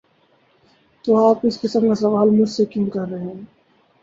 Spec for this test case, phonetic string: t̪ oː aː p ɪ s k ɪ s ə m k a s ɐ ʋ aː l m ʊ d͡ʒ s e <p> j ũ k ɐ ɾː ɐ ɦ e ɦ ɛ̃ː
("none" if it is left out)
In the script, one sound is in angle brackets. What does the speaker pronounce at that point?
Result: k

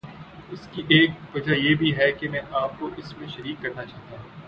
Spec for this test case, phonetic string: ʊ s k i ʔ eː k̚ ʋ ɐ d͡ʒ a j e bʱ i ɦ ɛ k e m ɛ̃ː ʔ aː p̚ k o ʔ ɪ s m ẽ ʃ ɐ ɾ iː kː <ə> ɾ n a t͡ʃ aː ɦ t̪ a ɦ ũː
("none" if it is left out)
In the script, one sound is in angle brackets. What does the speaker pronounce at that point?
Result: ɐ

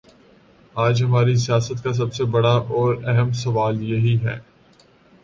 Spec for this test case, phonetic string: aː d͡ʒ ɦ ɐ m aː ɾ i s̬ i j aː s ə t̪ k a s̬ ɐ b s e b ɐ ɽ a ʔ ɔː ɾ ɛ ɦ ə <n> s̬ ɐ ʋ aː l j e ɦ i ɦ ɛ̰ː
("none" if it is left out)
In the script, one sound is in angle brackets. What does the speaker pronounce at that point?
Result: m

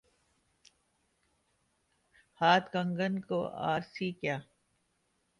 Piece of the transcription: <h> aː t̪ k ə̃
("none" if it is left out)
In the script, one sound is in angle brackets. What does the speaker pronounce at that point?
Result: h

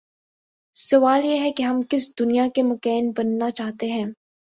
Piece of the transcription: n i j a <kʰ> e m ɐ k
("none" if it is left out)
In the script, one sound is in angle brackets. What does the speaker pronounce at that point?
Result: k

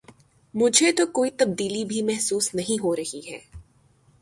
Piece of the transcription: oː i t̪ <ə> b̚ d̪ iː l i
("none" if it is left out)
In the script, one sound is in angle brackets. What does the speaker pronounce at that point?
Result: ɐ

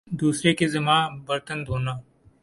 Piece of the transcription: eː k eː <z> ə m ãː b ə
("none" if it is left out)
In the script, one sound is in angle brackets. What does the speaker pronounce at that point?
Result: z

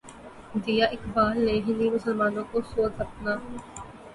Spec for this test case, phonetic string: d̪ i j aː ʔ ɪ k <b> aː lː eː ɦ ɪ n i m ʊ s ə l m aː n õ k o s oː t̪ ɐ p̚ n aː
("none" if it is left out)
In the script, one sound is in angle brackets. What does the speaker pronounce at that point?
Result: b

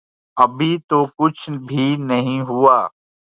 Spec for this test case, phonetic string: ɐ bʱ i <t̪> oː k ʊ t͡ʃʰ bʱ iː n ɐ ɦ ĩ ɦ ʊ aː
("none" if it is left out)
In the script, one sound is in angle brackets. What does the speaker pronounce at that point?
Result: t̪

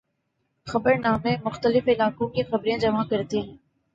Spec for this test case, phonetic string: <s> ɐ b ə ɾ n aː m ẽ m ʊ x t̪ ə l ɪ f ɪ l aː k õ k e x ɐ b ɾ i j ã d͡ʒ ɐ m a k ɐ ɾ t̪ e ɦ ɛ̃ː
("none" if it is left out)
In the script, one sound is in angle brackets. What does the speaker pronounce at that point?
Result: x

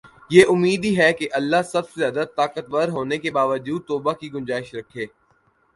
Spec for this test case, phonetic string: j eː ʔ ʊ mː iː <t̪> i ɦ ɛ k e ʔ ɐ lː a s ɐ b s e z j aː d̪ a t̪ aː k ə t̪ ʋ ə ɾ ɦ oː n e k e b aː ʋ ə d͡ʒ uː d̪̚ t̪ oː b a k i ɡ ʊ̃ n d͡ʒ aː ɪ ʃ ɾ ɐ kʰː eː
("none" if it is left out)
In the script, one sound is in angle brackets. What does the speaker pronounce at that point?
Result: d̪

